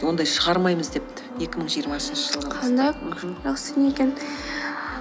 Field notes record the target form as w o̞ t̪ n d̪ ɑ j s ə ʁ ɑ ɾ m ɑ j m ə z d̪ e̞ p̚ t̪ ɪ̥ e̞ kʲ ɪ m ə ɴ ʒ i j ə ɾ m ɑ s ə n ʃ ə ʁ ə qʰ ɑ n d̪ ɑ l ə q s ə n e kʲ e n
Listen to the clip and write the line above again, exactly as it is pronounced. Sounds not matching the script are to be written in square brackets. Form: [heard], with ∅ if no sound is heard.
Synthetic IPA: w o̞ [∅] n d̪ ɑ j [ʃ] ə ʁ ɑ ɾ m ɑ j m ə z d̪ e̞ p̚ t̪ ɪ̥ e̞ kʲ ɪ m ə ɴ ʒ i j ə ɾ m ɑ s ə n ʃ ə [ʒ] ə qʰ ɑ n d̪ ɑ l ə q s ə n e kʲ e n